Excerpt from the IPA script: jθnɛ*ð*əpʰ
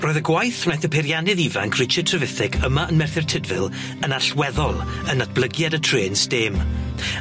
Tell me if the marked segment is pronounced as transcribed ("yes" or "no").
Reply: no